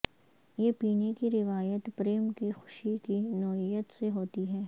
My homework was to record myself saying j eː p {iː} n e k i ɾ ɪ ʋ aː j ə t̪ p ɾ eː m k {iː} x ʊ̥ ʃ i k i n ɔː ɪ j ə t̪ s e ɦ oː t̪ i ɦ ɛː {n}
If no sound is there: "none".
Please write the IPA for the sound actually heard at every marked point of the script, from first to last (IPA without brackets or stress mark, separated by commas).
iː, i, none